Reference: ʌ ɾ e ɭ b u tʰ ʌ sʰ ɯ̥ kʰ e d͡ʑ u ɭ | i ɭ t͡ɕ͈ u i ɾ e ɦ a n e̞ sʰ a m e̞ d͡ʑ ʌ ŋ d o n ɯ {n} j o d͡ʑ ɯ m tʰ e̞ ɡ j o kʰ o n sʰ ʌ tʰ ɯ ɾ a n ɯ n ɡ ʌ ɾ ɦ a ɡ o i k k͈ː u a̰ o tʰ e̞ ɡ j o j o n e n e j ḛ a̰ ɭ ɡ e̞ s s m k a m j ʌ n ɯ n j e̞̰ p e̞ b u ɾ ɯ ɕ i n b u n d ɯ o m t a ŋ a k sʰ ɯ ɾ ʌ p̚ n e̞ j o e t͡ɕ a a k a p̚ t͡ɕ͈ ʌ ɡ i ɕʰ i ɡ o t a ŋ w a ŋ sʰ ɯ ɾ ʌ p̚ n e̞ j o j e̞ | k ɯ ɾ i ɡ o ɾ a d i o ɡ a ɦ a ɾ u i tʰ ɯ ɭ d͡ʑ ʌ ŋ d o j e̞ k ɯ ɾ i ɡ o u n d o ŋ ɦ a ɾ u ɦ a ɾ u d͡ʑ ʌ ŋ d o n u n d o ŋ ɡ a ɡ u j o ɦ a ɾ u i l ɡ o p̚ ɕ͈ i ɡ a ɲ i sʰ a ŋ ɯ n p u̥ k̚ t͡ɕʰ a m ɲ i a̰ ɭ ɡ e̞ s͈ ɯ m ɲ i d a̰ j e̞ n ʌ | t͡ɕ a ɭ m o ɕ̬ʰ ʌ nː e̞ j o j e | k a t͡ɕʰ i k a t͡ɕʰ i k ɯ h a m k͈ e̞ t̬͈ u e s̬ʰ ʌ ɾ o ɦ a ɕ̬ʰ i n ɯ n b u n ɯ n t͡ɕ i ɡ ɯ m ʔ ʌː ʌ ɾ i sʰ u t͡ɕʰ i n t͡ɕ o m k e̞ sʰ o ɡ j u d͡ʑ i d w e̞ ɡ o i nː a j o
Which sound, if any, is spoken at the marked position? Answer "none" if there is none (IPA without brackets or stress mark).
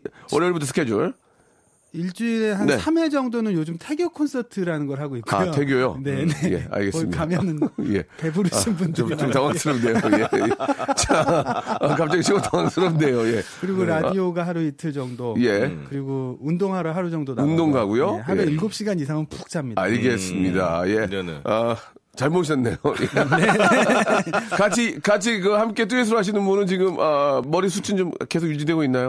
n